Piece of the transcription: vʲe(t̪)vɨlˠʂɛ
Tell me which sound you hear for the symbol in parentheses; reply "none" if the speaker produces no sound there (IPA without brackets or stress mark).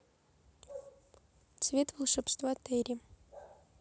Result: t̪